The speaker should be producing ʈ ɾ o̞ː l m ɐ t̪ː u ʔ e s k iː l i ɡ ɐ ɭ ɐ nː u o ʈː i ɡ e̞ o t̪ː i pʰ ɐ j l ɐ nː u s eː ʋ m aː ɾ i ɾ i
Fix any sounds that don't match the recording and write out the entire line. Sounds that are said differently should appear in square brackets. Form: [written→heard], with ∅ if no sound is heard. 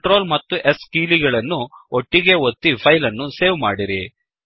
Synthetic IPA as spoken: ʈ ɾ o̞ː l m ɐ t̪ː u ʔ e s k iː l i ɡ ɐ ɭ ɐ nː u o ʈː i ɡ e̞ o t̪ː i pʰ ɐ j l ɐ nː u s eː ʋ m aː [ɾ→ɽ] i ɾ i